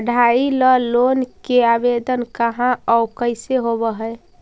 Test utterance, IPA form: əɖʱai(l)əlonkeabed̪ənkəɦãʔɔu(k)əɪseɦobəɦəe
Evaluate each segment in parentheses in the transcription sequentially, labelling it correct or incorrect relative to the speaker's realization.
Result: correct, correct

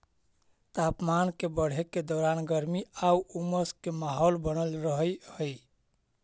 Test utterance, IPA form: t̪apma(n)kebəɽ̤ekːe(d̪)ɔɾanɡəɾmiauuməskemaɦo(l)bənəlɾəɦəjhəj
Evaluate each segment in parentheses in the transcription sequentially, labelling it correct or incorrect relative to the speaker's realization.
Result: correct, correct, correct

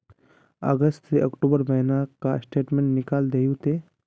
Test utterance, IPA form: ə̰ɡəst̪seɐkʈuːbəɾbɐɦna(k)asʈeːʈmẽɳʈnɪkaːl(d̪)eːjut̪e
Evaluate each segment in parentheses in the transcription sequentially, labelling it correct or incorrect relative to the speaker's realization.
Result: correct, correct

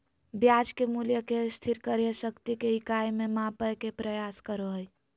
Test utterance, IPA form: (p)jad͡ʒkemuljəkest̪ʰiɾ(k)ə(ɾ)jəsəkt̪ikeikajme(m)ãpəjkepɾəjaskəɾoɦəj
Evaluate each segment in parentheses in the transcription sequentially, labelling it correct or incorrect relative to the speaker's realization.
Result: incorrect, correct, correct, correct

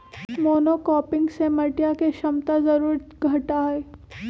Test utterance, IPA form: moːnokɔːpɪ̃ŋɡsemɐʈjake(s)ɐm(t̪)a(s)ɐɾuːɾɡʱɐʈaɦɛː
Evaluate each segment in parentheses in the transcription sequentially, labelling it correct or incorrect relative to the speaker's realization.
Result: incorrect, correct, incorrect

